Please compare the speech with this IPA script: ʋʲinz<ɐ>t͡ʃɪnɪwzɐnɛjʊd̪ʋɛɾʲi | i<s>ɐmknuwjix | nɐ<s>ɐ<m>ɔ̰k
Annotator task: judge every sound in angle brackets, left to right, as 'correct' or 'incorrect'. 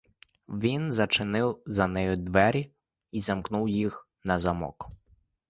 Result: correct, incorrect, incorrect, correct

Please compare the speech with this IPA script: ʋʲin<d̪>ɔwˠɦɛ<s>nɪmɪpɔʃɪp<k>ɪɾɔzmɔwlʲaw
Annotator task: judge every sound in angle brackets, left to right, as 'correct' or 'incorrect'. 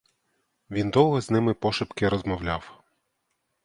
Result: correct, incorrect, correct

